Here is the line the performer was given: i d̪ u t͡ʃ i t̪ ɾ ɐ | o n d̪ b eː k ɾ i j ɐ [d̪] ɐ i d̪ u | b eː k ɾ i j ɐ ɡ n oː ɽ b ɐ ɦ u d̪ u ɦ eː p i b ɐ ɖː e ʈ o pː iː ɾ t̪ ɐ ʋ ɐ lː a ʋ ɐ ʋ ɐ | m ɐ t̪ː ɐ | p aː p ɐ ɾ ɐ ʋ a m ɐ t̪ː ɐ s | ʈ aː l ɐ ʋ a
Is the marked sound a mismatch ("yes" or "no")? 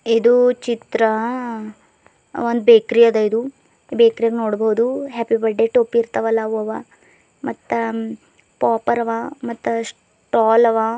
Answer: no